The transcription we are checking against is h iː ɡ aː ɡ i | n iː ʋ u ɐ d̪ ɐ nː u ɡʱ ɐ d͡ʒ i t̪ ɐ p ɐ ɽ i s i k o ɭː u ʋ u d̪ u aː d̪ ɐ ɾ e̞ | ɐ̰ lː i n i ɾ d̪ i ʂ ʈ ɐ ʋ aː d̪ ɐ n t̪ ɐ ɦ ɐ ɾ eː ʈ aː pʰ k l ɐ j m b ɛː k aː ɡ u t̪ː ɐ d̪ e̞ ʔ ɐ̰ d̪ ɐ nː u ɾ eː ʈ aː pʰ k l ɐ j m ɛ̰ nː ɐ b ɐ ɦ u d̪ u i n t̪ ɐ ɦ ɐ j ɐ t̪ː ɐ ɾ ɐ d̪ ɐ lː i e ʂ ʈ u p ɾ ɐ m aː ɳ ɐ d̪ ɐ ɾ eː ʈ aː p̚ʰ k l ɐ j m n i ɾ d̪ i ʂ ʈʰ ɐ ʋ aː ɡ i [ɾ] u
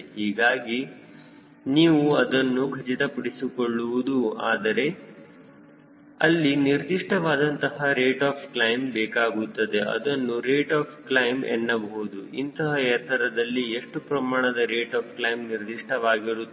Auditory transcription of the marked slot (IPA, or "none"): ɾ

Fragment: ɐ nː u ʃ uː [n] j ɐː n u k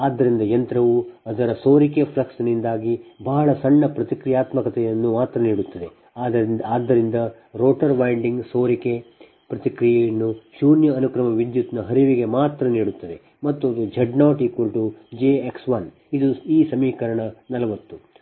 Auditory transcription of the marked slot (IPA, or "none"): n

